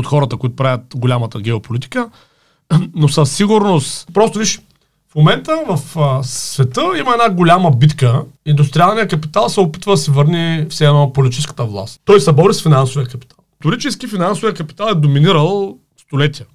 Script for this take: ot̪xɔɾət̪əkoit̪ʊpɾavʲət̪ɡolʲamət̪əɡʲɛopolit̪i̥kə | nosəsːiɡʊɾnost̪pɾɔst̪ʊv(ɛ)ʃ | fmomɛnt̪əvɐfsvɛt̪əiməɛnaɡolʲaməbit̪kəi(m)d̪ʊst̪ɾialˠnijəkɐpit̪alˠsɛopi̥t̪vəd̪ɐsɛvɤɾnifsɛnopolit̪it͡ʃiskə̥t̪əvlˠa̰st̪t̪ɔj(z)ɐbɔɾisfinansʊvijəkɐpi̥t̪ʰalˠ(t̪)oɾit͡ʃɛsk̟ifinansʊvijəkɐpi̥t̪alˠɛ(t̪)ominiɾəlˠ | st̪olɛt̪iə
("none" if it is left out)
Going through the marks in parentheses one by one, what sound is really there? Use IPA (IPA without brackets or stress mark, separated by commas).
i, n, s, t̪, d̪